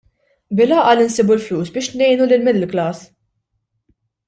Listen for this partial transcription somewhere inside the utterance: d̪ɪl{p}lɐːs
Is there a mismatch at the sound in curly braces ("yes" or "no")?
yes